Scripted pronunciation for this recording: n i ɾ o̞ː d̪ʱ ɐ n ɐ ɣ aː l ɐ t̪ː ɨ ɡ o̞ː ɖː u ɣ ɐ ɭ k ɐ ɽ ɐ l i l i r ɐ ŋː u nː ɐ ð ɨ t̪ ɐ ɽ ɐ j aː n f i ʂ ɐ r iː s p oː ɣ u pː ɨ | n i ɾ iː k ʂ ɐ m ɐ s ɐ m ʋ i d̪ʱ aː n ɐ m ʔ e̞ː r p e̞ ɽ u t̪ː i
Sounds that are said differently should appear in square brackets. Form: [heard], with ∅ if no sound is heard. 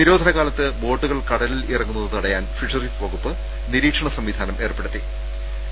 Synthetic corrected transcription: n i ɾ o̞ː d̪ʱ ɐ n ɐ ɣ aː l ɐ t̪ː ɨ [b] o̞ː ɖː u ɣ ɐ ɭ k ɐ ɽ ɐ l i l i r ɐ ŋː u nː ɐ ð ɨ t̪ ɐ ɽ ɐ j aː n f i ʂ ɐ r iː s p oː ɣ u pː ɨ | n i ɾ iː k ʂ ɐ [ɳ] ɐ s ɐ m ʋ i d̪ʱ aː n ɐ m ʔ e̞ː r p e̞ ɽ u t̪ː i